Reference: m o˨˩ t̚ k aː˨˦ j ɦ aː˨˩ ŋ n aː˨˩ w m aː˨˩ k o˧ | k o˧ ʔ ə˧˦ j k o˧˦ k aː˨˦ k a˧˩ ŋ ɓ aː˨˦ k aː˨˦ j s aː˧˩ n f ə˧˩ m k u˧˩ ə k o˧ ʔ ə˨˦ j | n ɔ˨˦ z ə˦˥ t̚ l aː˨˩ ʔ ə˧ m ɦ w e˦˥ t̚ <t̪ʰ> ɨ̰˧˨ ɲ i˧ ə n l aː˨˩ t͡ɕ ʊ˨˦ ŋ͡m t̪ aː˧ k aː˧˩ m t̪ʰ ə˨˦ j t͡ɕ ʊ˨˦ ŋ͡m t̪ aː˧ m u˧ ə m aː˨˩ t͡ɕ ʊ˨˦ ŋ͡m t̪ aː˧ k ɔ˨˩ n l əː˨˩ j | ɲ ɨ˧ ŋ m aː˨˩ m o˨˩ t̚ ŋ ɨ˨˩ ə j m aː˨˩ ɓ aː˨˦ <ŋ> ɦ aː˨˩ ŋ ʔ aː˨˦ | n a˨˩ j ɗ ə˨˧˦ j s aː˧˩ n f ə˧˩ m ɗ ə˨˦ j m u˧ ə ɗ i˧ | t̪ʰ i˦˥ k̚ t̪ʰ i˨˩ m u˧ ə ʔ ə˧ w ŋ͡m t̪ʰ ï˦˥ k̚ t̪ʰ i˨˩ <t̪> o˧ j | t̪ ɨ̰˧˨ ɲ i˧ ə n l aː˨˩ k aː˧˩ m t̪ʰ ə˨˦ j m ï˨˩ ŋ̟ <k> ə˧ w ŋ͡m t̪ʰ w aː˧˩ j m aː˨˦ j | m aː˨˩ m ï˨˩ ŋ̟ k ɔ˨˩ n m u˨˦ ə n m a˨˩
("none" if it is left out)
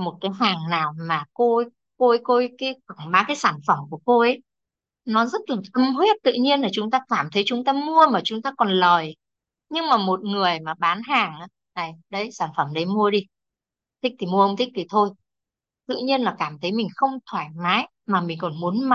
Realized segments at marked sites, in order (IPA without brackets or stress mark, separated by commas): t̪, n, t̪ʰ, x